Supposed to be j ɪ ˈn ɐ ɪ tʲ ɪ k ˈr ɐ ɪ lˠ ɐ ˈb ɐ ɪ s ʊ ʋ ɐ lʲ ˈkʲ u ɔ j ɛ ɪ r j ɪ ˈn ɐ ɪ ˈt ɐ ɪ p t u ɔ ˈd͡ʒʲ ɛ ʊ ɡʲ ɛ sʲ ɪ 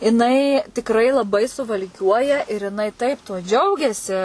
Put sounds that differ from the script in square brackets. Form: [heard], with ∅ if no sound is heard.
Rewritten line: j ɪ ˈn ɐ ɪ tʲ ɪ k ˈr ɐ ɪ lˠ ɐ ˈb ɐ ɪ s ʊ ʋ ɐ lʲ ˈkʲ u ɔ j ɛ ɪ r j ɪ ˈn ɐ ɪ ˈt ɐ ɪ p t u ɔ ˈd͡ʒʲ ɛ ʊ ɡʲ ɛ sʲ ɪ